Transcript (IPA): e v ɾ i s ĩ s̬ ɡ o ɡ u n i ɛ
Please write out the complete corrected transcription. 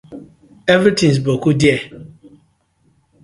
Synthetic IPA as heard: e v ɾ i t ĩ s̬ b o k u d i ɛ